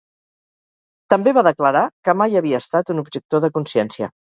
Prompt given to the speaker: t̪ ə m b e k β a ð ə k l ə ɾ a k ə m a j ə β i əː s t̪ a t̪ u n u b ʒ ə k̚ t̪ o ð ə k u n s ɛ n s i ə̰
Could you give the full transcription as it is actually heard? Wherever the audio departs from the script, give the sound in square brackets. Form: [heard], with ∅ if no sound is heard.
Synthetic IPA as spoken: t̪ ə m b e [∅] β a ð ə k l ə ɾ a k ə m a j ə β i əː s t̪ a t̪ u n u b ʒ ə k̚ t̪ o ð ə k u n s ɛ n s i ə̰